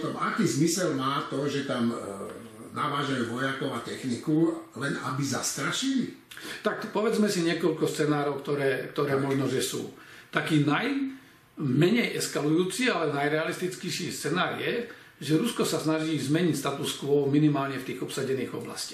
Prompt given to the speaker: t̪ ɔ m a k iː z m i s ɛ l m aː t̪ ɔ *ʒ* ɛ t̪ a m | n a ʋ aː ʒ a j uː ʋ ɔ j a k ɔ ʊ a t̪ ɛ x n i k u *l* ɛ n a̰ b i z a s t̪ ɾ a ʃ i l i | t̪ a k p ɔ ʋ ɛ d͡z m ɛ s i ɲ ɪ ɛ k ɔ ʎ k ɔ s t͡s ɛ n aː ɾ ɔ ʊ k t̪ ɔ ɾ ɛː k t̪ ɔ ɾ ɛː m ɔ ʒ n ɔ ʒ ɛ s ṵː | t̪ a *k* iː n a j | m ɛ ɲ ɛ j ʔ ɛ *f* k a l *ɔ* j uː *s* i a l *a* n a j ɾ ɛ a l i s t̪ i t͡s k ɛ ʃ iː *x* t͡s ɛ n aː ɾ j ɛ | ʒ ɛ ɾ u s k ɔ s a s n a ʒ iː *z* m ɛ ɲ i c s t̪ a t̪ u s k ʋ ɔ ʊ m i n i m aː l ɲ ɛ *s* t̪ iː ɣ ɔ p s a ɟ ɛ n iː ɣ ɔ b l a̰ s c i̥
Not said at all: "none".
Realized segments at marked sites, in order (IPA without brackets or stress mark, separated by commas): ʒ, l, k, s, u, t͡s, ɛ, s, z, f